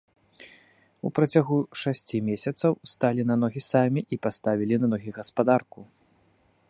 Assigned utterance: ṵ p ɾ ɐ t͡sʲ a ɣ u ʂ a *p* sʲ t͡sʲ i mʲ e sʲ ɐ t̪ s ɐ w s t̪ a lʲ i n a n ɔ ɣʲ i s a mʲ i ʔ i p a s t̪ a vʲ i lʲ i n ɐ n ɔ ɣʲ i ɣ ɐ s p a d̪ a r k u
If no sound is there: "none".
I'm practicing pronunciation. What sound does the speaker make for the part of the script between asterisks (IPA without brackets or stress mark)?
none